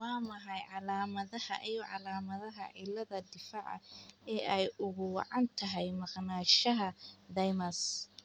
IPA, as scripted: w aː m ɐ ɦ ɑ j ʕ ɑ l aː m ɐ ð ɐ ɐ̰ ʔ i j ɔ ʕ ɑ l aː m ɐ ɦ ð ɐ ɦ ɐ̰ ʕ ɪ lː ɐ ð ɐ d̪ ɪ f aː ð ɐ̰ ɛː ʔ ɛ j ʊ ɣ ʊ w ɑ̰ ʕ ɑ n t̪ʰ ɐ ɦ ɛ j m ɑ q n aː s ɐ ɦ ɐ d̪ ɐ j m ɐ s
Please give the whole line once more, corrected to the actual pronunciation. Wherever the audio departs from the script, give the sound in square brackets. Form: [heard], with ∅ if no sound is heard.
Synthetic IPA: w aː m ɐ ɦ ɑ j ʕ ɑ l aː m ɐ ð ɐ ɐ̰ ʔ i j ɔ ʕ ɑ l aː m ɐ [∅] ð ɐ ɦ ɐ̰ ʕ ɪ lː ɐ ð ɐ d̪ ɪ f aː [ʕ] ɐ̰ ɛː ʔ ɛ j ʊ ɣ ʊ w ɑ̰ ʕ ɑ n t̪ʰ ɐ ɦ ɛ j m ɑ q n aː [ʃ] ɐ ɦ ɐ d̪ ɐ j m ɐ s